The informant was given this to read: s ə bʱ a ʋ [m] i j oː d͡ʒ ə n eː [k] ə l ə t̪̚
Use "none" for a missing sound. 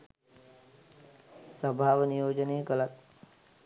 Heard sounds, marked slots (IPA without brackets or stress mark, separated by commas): n, ɡ